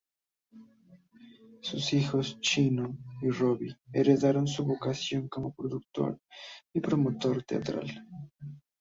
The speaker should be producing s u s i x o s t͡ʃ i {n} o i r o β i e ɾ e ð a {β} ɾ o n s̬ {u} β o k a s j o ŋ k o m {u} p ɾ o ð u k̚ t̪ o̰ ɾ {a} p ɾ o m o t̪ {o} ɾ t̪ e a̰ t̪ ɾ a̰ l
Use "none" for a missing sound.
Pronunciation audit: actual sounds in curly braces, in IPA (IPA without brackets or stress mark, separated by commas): n, none, u, o, i, o